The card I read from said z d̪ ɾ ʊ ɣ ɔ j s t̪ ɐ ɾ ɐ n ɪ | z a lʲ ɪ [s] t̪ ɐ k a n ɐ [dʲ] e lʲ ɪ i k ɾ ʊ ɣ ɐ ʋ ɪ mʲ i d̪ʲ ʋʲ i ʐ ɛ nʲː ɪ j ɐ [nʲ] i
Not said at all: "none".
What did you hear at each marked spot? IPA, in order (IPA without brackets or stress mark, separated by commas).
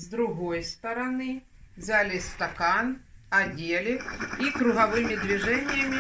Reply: s, dʲ, mʲ